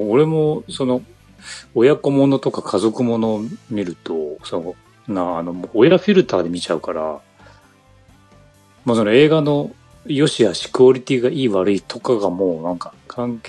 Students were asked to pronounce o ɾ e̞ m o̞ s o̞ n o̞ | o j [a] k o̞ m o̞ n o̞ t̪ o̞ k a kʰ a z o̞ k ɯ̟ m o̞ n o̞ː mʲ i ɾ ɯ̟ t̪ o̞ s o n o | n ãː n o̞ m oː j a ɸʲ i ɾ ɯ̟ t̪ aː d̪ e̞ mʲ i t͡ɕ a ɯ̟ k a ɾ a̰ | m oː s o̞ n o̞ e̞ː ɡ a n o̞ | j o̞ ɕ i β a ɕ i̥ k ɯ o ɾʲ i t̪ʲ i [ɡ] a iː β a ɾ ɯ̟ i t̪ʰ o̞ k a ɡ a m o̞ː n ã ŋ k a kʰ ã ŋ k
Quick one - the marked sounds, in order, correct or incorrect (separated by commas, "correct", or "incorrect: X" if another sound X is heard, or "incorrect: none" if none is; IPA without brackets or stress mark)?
correct, correct